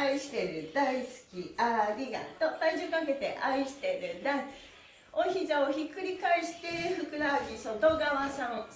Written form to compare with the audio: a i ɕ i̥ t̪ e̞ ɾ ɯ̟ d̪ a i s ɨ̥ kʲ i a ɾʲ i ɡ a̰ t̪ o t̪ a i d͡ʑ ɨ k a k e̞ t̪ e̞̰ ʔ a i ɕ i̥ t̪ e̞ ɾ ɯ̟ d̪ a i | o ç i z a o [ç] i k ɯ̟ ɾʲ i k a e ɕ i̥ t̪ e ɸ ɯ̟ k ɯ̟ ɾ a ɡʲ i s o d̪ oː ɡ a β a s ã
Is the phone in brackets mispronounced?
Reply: no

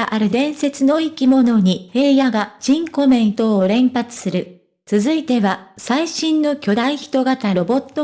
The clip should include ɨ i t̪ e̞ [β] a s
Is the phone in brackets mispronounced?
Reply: no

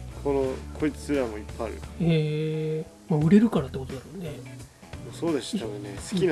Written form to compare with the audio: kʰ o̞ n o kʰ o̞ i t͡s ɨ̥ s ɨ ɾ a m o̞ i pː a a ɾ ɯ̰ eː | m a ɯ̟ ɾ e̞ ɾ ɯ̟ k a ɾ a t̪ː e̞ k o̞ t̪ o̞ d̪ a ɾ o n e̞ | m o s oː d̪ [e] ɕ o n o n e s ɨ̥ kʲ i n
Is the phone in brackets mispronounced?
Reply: no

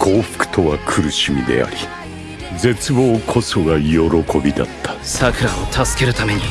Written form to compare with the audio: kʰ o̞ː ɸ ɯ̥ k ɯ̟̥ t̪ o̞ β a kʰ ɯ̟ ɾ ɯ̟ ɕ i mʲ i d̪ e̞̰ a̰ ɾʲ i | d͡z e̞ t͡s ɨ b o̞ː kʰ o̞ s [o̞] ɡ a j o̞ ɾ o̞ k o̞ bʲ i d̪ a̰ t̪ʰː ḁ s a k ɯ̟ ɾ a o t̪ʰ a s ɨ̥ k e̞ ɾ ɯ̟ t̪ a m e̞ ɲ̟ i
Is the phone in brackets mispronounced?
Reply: no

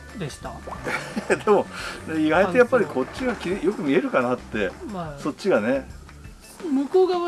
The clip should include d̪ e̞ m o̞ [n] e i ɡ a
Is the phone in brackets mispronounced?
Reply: no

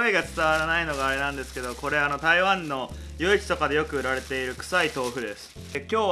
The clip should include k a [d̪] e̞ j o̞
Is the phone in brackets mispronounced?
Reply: no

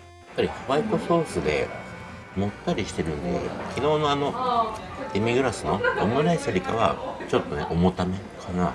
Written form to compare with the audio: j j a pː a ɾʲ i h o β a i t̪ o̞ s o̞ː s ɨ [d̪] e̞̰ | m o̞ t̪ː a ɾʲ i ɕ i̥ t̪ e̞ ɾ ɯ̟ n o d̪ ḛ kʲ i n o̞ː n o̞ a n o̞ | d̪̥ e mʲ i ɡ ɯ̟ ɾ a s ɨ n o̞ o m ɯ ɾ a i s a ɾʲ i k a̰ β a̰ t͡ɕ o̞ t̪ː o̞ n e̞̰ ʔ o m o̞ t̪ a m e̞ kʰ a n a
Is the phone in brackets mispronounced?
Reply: no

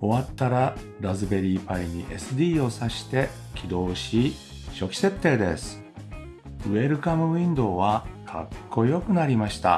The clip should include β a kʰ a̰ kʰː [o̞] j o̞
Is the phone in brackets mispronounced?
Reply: no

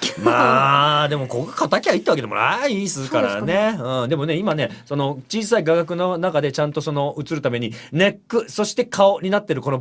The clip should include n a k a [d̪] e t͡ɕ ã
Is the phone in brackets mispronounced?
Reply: no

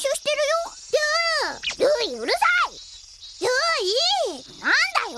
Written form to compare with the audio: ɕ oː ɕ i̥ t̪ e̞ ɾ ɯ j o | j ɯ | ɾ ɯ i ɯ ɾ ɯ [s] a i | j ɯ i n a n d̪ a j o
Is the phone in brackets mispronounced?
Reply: no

